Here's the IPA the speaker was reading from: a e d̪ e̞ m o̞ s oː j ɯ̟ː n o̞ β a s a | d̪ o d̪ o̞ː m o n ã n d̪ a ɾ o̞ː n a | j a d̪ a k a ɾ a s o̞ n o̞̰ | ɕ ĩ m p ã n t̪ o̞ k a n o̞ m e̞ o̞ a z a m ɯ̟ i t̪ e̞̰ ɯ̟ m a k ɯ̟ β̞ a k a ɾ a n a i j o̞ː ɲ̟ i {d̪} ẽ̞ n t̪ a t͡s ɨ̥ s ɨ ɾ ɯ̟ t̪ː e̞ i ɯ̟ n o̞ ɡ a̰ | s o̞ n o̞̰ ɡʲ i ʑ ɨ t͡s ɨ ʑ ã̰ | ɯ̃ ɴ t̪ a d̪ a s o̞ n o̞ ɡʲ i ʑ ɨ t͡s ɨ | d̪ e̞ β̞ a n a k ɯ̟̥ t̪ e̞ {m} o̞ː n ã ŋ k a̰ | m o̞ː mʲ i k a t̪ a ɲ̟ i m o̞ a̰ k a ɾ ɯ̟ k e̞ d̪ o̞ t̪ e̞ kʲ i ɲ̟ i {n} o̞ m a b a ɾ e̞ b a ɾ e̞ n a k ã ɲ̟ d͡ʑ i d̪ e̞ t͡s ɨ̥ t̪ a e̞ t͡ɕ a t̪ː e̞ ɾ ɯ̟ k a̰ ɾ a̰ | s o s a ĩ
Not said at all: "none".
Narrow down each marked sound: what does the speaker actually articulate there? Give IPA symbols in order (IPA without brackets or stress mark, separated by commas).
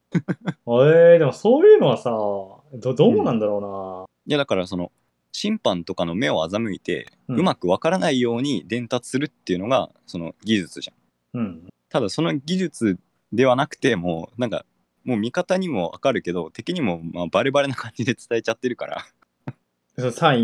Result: d̪, m, m